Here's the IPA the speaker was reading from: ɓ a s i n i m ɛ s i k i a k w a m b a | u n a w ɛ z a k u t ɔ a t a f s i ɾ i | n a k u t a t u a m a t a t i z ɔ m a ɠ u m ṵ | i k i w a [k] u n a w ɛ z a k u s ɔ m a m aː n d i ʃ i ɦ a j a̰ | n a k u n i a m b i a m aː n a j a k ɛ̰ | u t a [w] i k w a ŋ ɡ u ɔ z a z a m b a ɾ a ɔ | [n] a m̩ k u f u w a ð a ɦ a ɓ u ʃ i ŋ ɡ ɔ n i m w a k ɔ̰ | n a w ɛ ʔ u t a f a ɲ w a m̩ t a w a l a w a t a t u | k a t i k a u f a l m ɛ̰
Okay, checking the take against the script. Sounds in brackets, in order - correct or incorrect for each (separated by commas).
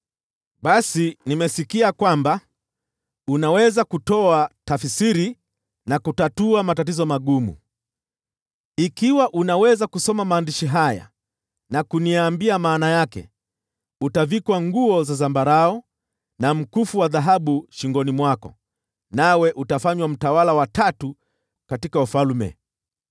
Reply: incorrect, incorrect, correct